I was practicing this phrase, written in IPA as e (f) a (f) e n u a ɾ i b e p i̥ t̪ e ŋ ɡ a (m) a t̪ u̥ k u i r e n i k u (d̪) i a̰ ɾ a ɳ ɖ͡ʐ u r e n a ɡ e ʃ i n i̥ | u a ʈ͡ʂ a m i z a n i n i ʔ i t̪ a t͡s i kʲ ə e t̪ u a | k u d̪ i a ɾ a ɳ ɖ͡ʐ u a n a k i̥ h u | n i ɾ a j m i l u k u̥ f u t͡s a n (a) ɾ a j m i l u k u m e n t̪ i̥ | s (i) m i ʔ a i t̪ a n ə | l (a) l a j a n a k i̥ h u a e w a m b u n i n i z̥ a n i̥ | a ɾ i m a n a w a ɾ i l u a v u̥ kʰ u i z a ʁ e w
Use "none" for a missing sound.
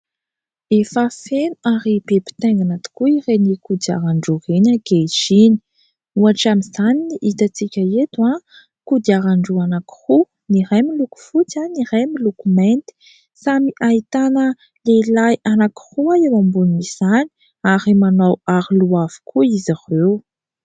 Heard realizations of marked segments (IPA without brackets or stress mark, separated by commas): f, f, n, d̪, i, a, e